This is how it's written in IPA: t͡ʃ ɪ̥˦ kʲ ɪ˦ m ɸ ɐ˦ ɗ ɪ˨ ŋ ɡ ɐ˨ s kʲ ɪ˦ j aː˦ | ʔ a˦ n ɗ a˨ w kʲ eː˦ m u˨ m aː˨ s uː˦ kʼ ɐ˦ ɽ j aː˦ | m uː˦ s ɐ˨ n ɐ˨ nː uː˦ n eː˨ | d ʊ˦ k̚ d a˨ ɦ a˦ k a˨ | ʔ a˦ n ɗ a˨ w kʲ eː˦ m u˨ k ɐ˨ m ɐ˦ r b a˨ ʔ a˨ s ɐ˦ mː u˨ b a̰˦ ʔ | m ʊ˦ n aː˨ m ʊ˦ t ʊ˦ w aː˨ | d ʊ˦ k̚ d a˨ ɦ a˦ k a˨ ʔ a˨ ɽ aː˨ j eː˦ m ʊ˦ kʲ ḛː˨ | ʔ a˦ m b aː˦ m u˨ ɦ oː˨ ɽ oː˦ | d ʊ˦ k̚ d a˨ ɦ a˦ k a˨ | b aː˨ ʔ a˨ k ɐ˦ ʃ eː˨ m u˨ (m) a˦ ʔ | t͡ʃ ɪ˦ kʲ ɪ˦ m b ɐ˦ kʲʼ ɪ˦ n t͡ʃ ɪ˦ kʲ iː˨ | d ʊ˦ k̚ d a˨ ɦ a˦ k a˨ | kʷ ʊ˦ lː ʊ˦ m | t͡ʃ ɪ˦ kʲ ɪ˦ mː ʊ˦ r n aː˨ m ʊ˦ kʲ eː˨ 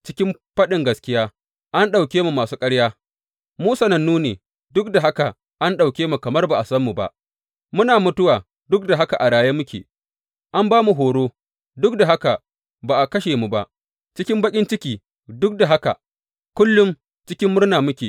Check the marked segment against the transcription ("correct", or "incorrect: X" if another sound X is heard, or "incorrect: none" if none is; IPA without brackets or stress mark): incorrect: b